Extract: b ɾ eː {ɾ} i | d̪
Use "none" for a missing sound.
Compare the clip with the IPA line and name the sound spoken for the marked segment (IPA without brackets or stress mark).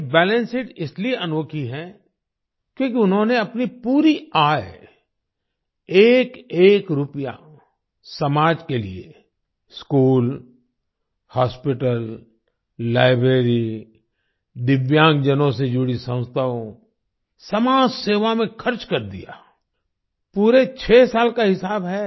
ɾ